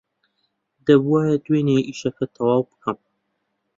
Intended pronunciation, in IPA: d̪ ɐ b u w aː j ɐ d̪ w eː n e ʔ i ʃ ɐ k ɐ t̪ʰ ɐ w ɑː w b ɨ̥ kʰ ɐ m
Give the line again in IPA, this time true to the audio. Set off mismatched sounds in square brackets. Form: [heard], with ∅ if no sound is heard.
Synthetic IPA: d̪ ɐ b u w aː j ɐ d̪ w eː n e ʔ i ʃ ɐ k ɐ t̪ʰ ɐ w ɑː w b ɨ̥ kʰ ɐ m